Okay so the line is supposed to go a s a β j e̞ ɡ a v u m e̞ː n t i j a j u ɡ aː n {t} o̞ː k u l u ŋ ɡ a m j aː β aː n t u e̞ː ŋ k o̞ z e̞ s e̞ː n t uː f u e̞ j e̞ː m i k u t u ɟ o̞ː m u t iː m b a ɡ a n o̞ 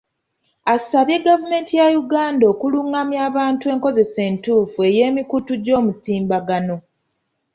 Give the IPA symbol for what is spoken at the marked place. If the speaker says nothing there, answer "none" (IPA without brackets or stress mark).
d